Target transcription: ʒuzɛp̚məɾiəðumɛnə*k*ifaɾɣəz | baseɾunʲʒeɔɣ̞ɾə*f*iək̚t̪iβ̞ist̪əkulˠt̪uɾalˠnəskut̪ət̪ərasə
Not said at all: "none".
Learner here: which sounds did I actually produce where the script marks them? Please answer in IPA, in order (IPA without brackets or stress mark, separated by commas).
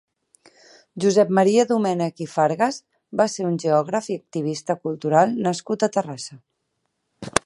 k, f